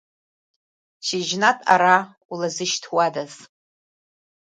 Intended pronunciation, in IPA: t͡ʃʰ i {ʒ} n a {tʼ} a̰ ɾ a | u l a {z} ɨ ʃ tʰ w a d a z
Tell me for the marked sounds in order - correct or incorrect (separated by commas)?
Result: correct, correct, correct